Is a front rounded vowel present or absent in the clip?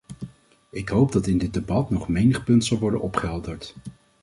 absent